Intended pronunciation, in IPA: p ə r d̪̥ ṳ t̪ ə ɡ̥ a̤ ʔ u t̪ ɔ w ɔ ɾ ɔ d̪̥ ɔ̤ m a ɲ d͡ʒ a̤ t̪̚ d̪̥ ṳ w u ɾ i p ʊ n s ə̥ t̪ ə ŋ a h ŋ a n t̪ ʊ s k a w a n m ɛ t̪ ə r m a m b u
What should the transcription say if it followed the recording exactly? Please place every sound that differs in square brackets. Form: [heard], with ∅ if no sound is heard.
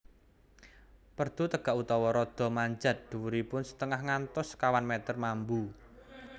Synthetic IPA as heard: p ə r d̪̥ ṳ t̪ ə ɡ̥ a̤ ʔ u t̪ ɔ w ɔ ɾ ɔ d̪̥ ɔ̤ m a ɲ d͡ʒ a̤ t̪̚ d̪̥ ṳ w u ɾ i p ʊ n s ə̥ t̪ ə ŋ a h ŋ a n t̪ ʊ s k a w a n m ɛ t̪ ə r m a m b u